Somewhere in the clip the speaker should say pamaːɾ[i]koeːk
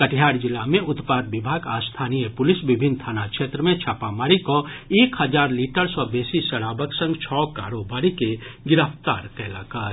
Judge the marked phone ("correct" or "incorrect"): correct